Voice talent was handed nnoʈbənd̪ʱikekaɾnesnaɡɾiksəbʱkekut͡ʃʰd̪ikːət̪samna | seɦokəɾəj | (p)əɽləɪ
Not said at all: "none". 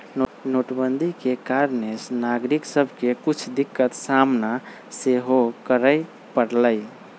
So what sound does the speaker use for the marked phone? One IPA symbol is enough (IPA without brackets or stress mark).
p